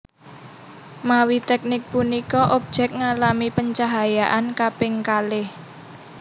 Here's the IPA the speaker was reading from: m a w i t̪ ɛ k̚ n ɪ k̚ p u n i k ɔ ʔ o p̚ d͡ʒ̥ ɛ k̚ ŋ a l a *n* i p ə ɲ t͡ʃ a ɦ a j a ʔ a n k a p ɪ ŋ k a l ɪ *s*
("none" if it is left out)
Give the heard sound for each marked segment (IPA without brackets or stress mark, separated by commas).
m, h